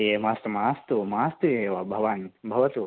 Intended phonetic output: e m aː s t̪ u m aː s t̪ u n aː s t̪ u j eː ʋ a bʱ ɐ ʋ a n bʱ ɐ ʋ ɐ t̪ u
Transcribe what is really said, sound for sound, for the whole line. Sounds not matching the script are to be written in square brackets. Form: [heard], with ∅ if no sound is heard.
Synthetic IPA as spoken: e m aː s t̪ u m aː s t̪ u [m] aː s t̪ u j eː ʋ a bʱ ɐ ʋ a n bʱ ɐ ʋ ɐ t̪ u